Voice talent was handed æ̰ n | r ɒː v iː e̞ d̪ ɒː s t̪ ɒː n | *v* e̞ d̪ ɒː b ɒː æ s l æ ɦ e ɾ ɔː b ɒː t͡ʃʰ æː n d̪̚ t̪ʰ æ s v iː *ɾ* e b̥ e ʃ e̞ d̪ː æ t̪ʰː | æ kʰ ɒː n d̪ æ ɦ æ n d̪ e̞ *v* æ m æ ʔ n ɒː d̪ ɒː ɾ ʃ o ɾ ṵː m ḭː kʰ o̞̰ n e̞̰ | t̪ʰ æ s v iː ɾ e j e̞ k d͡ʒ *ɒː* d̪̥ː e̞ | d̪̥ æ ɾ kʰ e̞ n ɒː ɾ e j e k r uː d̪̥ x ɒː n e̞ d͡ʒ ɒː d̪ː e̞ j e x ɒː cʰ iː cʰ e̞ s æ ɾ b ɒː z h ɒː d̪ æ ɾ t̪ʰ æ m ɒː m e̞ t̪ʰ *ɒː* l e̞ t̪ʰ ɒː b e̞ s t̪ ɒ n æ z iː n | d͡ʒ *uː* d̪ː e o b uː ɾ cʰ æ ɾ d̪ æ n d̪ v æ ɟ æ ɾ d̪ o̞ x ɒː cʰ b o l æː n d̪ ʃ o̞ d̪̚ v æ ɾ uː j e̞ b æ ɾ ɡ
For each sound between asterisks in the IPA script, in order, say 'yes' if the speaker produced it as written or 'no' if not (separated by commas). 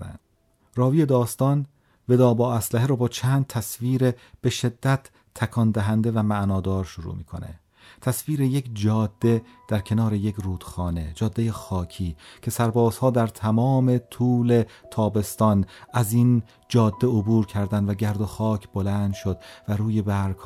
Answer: yes, yes, yes, yes, no, no